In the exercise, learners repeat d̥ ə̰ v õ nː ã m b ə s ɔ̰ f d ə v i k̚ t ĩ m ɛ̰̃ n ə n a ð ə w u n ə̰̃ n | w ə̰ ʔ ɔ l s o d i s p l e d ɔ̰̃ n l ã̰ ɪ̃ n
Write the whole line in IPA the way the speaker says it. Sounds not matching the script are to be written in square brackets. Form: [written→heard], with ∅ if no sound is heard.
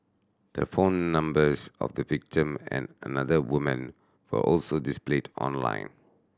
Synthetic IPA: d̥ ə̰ [v→f] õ nː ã m b ə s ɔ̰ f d ə v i k̚ t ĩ m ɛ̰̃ n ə n a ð ə w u [n→m] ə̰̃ n | w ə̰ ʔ ɔ l s o d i s p l e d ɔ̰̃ n l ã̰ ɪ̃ n